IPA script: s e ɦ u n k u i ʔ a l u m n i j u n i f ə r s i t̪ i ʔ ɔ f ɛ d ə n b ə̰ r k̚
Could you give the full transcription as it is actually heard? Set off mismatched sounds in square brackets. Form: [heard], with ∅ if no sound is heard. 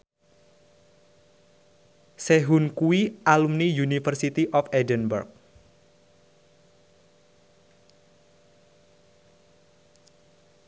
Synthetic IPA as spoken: s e ɦ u n k u i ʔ a l u m n i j u n i f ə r s i t̪ i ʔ ɔ f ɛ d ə n b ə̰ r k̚